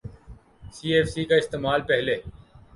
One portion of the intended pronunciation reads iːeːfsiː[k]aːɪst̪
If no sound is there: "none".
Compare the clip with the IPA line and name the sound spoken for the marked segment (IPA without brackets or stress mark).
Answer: k